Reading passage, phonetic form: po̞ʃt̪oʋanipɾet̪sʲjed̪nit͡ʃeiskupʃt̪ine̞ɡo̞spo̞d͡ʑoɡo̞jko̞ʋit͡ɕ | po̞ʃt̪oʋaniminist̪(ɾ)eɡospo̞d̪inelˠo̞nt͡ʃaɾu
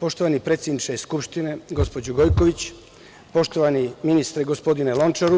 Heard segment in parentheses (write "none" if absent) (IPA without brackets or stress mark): ɾ